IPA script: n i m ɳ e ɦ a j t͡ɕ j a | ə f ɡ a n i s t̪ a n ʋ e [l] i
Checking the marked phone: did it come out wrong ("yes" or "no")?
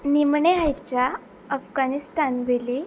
no